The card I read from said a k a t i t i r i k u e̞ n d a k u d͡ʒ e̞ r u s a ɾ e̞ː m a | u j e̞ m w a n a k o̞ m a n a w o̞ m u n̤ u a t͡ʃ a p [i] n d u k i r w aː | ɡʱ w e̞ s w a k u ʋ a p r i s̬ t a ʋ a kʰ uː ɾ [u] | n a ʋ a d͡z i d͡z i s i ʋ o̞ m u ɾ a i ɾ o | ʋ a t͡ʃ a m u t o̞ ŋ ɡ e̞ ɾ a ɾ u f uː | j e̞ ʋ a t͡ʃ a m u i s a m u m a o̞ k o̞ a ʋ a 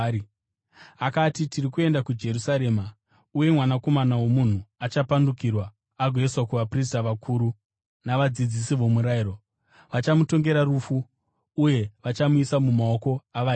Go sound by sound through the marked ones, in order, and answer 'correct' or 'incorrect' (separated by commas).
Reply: incorrect, correct